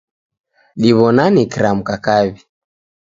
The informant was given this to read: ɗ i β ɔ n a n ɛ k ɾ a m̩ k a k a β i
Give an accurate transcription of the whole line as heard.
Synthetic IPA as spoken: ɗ i β ɔ n a n i k ɾ a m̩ k a k a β i